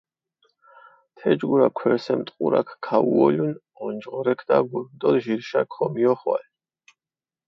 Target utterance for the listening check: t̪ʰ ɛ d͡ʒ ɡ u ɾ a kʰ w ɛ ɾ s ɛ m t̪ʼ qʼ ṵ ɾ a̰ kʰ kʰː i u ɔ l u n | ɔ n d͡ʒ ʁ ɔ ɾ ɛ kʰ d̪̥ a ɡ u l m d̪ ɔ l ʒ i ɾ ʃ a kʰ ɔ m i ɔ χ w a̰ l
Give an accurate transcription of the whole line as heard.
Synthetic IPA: t̪ʰ ɛ d͡ʒ ɡ u ɾ a kʰ w ɛ ɾ s ɛ m t̪ʼ qʼ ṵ ɾ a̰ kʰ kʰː a u ɔ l u n | ɔ n d͡ʒ ʁ ɔ ɾ ɛ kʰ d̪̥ a ɡ u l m d̪ ɔ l ʒ i ɾ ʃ a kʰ ɔ m i ɔ χ w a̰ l